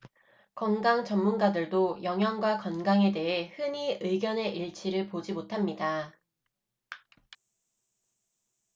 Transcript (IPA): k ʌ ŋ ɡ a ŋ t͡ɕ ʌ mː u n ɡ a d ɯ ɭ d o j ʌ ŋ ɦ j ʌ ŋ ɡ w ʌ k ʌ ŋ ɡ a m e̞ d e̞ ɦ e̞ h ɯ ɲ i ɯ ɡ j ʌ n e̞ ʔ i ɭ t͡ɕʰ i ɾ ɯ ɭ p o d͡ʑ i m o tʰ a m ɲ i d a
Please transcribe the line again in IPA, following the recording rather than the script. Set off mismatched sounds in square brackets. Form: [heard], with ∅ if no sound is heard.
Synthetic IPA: k ʌ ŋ ɡ a ŋ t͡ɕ ʌ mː u n ɡ a d ɯ ɭ d o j ʌ ŋ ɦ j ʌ ŋ ɡ w [a] k ʌ [n] ɡ a [ŋ] e̞ d e̞ ɦ e̞ h ɯ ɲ i ɯ ɡ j ʌ n e̞ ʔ i ɭ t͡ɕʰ i ɾ ɯ ɭ p o d͡ʑ i m o tʰ a m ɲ i d a

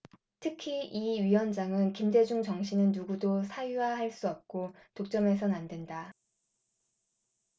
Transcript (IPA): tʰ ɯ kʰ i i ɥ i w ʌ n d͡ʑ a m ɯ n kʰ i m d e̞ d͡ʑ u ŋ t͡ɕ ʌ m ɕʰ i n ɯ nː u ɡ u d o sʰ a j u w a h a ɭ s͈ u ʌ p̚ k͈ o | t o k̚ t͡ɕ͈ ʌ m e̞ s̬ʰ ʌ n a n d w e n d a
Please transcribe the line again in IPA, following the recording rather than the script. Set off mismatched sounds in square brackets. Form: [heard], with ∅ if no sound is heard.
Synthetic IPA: tʰ ɯ kʰ i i ɥ i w ʌ n d͡ʑ a [ŋ] ɯ n [k] i m d e̞ d͡ʑ u ŋ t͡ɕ ʌ [ŋ] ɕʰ i n ɯ nː u ɡ u d o sʰ a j u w a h a ɭ s͈ u ʌ p̚ k͈ o | t o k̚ t͡ɕ͈ ʌ m e̞ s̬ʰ ʌ n a n d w e n d a

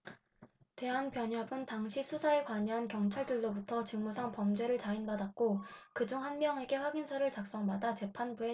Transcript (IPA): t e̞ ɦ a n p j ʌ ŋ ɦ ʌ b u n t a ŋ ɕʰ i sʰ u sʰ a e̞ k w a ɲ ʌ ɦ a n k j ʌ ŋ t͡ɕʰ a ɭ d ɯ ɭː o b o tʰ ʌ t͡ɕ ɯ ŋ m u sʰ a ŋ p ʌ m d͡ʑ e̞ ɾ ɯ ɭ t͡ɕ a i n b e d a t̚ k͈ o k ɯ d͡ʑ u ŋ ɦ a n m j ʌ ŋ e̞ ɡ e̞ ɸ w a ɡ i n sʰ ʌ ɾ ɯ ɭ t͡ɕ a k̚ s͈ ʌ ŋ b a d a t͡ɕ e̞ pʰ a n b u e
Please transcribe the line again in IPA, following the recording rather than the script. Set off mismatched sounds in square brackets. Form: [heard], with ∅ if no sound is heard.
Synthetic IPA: t e̞ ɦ a n p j ʌ [ɲ] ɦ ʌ b [ɯ] n t a ŋ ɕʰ i sʰ u sʰ a e̞ k w a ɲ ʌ ɦ a n k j ʌ ŋ t͡ɕʰ a ɭ d ɯ ɭː o b [u] tʰ ʌ t͡ɕ ɯ ŋ m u sʰ a ŋ p ʌ m d͡ʑ e̞ ɾ ɯ ɭ t͡ɕ a i n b [a] d a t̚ k͈ o k ɯ d͡ʑ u ŋ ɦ a n m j ʌ ŋ e̞ ɡ e̞ ɸ w a ɡ i n sʰ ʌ ɾ ɯ ɭ t͡ɕ a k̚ s͈ ʌ ŋ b a d a t͡ɕ e̞ pʰ a n b u e

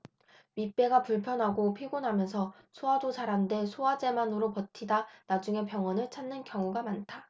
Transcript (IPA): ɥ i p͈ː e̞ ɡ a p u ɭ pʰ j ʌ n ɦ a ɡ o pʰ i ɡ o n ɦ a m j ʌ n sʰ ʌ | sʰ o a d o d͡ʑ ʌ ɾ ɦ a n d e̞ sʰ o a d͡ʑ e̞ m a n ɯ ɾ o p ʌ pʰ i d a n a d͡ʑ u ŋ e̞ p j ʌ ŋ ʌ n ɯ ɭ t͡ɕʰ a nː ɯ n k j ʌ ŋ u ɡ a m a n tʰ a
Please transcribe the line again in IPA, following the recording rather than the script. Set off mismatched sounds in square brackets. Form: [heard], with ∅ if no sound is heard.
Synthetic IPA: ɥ i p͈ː e̞ ɡ a p u ɭ pʰ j ʌ n ɦ a ɡ o pʰ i ɡ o n ɦ a m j ʌ n sʰ ʌ | sʰ o a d o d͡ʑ [a] ɾ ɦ a n d e̞ sʰ o a d͡ʑ e̞ m a n ɯ ɾ o p ʌ [tʰ] i d a n a d͡ʑ u ŋ e̞ p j ʌ ŋ ʌ n ɯ ɭ t͡ɕʰ a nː ɯ n k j ʌ ŋ u ɡ a m a n tʰ a

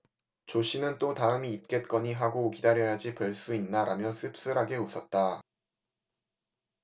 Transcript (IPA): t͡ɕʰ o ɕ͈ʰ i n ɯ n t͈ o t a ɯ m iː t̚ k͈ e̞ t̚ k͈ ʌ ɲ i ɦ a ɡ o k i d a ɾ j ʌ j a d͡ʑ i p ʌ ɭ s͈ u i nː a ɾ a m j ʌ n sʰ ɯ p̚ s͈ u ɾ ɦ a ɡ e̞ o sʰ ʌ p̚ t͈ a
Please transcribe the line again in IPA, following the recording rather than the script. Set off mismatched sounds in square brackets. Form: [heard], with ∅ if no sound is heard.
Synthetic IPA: [t͡ɕ] o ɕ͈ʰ i n ɯ n t͈ o t a ɯ m iː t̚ k͈ e̞ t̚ k͈ ʌ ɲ i ɦ a ɡ o k i d a ɾ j ʌ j a d͡ʑ i p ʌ ɭ s͈ u i nː a ɾ a m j ʌ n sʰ ɯ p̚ s͈ [ɯ] ɾ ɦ a ɡ e̞ [u] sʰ ʌ [t̚] t͈ a

